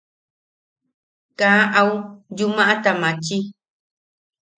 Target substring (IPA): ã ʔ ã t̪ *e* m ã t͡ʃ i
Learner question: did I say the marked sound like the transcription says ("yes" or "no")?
no